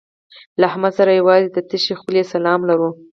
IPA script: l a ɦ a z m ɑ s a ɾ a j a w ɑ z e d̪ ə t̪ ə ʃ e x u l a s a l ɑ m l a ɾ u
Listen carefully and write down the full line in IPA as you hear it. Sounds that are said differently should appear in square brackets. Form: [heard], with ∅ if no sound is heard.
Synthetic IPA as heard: l a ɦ a [∅] m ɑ s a ɾ a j a w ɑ z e d̪ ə t̪ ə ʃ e x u l [e] s a l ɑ m l a ɾ u